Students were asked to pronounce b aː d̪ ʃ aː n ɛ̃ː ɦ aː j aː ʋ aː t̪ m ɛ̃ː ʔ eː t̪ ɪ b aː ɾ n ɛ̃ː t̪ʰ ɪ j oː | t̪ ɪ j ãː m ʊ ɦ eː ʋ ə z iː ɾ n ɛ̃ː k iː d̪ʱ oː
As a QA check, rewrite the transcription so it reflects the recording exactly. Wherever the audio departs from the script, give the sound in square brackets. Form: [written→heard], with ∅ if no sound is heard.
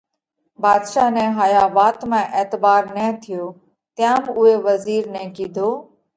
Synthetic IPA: b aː d̪ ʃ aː n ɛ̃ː ɦ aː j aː ʋ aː t̪ m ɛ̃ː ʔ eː t̪ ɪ b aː ɾ n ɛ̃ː t̪ʰ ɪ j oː | t̪ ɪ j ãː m ʊ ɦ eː ʋ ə z iː ɾ n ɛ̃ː k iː d̪ʱ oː